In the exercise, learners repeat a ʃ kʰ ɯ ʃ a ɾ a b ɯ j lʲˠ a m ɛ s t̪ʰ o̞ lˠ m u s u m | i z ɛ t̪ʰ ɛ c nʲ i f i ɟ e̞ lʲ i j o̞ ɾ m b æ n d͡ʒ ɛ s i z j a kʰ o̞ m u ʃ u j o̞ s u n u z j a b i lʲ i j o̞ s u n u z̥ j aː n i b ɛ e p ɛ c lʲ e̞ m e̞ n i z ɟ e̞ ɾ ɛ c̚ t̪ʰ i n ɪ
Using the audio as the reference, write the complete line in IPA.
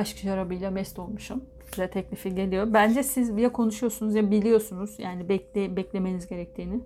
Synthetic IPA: a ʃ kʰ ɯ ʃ a ɾ a b ɯ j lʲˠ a m ɛ s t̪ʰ o̞ lˠ m u ʃ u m | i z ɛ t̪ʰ ɛ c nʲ i f i ɟ e̞ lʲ i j o̞ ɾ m b æ n d͡ʒ ɛ s i z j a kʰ o̞ n u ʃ u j o̞ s u n u z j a b i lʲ i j o̞ s u n u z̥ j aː n i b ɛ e b ɛ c lʲ e̞ m e̞ n i z ɟ e̞ ɾ ɛ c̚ t̪ʰ iː n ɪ